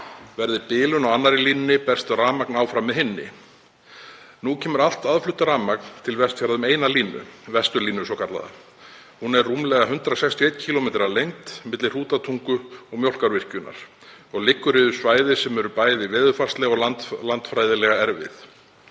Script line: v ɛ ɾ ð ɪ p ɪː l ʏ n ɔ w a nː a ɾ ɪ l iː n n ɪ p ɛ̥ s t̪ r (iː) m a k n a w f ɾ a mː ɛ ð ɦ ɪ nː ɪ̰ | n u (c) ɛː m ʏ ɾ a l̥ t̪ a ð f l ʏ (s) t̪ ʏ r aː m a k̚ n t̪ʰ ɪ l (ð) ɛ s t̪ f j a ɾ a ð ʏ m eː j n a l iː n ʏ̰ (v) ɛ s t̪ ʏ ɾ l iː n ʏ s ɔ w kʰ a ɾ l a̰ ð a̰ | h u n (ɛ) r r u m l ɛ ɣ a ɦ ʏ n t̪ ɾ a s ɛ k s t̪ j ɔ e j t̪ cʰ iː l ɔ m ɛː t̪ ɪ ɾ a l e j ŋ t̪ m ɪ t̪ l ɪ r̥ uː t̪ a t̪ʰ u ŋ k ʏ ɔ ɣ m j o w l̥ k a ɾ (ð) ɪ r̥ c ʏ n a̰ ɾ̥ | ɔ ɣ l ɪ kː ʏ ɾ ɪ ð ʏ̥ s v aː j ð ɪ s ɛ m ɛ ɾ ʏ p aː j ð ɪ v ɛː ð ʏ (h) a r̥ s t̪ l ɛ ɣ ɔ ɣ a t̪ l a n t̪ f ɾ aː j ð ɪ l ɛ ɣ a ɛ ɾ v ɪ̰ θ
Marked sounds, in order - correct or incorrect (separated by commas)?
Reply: incorrect, incorrect, incorrect, incorrect, correct, correct, incorrect, incorrect